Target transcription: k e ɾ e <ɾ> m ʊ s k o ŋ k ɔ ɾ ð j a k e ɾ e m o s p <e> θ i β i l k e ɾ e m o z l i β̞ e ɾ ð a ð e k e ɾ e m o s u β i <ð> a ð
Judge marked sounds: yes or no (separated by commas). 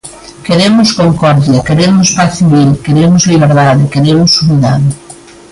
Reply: no, no, yes